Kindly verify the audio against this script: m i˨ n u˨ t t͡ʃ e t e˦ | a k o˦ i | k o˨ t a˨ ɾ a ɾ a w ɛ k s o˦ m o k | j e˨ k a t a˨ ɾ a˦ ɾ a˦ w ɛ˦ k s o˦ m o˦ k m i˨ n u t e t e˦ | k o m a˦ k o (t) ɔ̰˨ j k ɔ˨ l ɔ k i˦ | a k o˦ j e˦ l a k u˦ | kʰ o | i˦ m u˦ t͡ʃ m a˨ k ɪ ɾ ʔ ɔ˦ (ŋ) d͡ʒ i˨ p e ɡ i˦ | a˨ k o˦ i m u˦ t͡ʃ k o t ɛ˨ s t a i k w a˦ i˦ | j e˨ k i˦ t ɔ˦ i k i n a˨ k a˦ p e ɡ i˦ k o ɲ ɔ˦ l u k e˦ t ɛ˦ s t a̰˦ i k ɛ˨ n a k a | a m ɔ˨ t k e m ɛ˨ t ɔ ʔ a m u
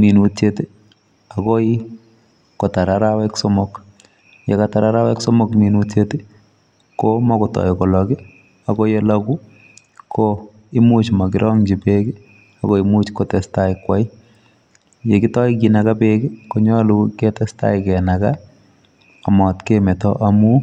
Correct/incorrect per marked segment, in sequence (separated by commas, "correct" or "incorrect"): correct, correct